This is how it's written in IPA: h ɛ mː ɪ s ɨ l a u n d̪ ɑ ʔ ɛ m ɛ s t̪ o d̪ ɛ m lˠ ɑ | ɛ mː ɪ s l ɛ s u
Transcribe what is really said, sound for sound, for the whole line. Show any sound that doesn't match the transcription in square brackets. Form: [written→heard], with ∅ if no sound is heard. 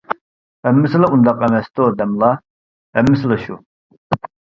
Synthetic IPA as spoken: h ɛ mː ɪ s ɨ l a u n d̪ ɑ [ʔ→q] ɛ m ɛ s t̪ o d̪ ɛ m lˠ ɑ | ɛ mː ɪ s l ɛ [s→ʃ] u